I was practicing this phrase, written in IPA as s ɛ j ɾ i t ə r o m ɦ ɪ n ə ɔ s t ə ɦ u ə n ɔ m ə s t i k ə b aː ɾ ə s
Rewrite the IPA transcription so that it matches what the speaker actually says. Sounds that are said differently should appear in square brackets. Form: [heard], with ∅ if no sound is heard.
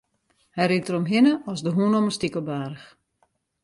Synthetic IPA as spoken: [h] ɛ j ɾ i t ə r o m ɦ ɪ n ə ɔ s [d] ə ɦ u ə n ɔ m ə s t i k ə b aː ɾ ə [x]